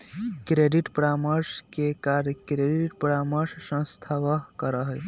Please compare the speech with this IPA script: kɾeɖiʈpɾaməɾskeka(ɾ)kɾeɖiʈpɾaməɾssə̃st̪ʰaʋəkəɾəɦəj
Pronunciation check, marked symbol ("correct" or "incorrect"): correct